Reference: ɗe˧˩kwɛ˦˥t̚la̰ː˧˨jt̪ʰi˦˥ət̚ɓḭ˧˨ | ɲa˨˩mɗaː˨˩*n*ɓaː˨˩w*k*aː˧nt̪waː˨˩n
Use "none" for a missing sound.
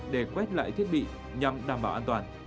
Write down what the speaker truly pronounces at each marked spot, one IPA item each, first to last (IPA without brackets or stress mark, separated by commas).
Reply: m, ʔ